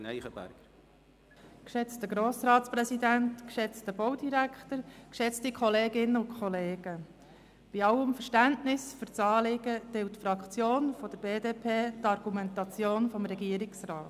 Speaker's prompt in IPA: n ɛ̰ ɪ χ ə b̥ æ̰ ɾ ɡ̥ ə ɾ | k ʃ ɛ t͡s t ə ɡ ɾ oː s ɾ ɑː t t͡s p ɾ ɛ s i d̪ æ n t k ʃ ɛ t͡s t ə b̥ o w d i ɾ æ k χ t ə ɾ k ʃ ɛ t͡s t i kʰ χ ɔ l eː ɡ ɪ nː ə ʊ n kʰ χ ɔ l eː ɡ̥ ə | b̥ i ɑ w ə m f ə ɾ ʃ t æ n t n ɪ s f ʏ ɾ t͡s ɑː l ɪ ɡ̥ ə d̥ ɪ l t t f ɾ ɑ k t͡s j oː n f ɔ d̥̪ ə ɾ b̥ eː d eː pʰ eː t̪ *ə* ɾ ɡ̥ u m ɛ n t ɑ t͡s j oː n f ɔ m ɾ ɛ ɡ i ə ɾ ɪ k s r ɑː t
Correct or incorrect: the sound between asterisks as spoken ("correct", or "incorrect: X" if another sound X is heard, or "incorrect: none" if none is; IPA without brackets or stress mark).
incorrect: ɑ